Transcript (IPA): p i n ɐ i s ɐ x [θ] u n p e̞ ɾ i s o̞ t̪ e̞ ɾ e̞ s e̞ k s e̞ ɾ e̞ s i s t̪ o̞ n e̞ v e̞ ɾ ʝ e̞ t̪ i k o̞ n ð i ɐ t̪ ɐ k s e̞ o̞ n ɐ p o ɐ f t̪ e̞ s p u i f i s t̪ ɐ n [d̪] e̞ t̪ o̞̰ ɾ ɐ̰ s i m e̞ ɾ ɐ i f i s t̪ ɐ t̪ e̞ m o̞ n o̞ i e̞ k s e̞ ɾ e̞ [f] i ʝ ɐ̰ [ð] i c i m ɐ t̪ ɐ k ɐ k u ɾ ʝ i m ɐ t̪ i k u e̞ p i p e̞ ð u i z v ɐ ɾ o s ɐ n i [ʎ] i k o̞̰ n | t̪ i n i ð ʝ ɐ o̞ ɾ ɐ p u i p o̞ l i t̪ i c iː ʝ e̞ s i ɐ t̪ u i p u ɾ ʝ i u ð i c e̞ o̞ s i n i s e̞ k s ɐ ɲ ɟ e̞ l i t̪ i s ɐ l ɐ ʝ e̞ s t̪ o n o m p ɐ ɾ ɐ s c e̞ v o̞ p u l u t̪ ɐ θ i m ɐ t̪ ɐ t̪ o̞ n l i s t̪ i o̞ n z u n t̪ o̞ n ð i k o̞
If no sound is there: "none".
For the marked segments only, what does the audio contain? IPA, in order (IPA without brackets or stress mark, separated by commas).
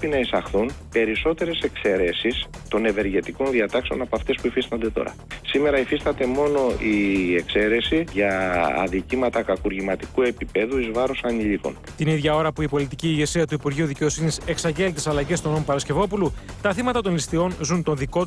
θ, d̪, s, ð, ʎ